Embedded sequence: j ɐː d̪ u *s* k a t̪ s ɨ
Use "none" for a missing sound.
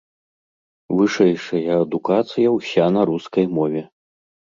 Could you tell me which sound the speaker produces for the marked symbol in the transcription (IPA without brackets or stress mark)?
none